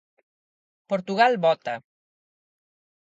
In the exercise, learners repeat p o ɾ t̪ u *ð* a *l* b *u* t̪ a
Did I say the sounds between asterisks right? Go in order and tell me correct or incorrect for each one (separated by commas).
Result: incorrect, correct, incorrect